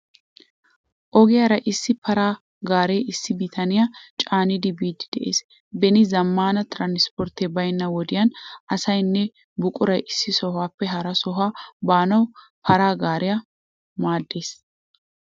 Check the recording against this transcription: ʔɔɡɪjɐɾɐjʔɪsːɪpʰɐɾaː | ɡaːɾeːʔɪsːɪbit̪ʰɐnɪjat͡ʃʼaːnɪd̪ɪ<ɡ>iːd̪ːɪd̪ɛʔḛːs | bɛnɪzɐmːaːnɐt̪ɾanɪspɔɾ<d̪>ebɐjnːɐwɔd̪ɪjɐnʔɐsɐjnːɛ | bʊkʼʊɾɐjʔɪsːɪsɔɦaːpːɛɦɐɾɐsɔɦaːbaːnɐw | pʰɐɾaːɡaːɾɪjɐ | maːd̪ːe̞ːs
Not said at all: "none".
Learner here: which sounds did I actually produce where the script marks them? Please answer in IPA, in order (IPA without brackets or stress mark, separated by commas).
b, t̪